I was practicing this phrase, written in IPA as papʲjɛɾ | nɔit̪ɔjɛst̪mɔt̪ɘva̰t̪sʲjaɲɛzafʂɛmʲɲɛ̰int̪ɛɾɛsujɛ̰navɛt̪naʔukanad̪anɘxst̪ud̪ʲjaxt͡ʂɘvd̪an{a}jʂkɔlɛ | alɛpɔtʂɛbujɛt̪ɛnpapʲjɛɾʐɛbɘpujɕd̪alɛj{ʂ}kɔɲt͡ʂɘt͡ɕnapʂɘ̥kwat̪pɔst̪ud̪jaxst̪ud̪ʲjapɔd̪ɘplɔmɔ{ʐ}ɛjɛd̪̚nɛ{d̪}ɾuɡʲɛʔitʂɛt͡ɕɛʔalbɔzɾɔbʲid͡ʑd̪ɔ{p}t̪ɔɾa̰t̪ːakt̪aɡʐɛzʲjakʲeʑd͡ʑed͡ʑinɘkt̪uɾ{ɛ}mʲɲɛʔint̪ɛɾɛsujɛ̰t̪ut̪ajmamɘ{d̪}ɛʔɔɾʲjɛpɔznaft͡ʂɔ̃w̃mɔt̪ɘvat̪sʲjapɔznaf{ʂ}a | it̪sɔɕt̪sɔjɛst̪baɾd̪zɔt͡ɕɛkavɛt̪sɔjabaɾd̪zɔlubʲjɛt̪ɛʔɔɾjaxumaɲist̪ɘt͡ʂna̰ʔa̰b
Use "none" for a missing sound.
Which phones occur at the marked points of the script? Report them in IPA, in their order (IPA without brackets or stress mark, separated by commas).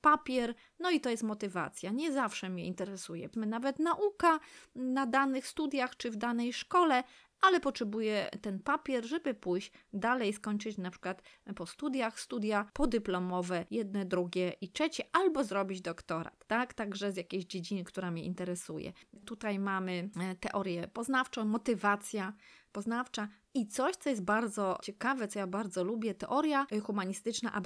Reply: ɛ, s, v, d̪, k, a, t̪, t͡ʂ